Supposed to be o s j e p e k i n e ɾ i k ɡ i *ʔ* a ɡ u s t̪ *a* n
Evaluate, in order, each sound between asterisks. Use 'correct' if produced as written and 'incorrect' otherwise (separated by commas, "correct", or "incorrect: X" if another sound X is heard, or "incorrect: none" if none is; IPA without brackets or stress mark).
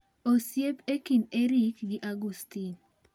correct, incorrect: i